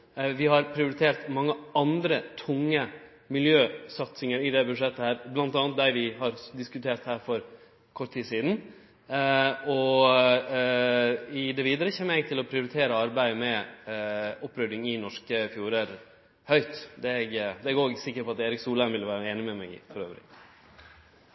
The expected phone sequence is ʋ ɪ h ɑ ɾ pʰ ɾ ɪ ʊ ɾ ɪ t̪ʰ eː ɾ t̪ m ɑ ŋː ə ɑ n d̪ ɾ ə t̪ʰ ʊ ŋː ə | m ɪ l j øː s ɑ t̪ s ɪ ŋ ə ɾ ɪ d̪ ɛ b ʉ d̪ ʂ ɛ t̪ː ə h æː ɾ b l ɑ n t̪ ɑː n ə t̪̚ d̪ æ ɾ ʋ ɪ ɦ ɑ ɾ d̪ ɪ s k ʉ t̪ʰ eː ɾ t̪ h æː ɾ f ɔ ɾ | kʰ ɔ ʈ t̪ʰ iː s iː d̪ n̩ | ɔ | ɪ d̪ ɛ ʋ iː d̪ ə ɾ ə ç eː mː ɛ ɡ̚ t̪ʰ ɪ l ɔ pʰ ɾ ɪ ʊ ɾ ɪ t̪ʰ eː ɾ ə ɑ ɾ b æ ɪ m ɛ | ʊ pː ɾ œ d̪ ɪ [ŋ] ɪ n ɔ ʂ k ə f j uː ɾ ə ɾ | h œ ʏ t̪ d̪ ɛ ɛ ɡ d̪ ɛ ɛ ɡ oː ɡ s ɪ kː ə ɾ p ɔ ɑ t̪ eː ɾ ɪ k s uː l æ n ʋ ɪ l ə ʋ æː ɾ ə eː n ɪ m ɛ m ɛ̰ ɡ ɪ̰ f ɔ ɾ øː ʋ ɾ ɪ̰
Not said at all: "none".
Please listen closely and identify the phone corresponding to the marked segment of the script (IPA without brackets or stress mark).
ŋ